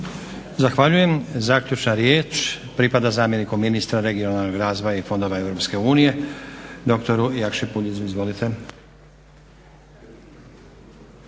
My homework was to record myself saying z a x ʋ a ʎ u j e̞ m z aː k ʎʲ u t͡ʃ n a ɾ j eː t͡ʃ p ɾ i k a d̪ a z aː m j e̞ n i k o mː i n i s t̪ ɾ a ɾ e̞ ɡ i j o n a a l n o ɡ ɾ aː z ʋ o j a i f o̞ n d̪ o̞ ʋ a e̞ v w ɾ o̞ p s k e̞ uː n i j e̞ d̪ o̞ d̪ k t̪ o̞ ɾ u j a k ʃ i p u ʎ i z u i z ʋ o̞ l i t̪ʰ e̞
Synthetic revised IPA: z a x ʋ a ʎ u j e̞ m z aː k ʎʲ u t͡ʃ n a ɾ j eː t͡ʃ p ɾ i p a d̪ a z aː m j e̞ n i k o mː i n i s t̪ ɾ a ɾ e̞ ɡ i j o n a a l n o ɡ ɾ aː z ʋ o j a i f o̞ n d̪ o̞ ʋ a e̞ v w ɾ o̞ p s k e̞ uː n i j e̞ d̪ o̞ k t̪ o̞ ɾ u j a k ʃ i p u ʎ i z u i z ʋ o̞ l i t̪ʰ e̞